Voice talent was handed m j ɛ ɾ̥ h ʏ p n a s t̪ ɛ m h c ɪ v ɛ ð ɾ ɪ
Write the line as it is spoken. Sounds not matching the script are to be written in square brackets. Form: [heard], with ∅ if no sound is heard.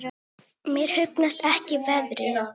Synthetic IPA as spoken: m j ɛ ɾ̥ h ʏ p n a s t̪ ɛ [∅] h c ɪ v ɛ ð ɾ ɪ